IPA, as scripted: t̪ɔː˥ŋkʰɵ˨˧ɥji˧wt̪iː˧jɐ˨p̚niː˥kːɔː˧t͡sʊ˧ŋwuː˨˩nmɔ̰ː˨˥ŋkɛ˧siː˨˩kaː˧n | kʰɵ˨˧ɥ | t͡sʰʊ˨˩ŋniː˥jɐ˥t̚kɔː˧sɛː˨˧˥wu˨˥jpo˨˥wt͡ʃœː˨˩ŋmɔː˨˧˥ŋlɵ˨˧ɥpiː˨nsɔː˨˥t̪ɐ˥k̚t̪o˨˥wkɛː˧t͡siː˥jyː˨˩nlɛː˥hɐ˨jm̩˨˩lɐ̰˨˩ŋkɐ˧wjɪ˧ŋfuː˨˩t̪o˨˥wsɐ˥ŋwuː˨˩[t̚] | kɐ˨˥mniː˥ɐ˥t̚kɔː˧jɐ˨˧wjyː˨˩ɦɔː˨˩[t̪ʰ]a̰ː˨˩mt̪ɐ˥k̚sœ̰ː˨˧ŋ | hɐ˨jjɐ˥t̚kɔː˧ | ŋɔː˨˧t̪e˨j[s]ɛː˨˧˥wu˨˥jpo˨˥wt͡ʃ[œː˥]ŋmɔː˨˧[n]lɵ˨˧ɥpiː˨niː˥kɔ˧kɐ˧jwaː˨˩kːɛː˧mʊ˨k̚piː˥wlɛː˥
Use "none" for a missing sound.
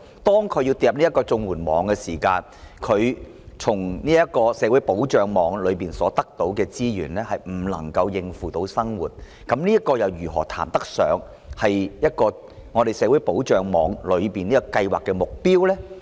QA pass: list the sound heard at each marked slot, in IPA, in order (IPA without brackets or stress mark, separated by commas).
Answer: t̚, t̪ʰ, s, œː˨, ŋ